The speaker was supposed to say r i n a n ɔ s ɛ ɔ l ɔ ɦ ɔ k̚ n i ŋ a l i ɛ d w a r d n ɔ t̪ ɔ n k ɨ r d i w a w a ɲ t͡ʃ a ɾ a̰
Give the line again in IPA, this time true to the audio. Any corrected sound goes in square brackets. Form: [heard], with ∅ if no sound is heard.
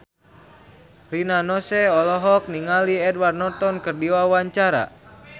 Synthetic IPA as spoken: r i n a n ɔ s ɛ ɔ l ɔ ɦ ɔ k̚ n i ŋ a l i ɛ d w a r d n ɔ t̪ ɔ n k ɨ r d i w a w a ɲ t͡ʃ a ɾ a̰

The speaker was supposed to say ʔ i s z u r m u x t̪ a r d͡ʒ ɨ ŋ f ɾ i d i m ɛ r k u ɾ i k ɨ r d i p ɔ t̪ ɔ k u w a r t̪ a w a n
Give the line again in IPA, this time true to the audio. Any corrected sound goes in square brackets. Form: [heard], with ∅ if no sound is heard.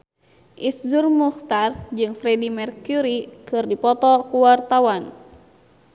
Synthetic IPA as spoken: ʔ i s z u r m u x t̪ a r d͡ʒ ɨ ŋ f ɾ [ɛ] d i m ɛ r k u ɾ i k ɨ r d i p ɔ t̪ ɔ k u w a r t̪ a w a n

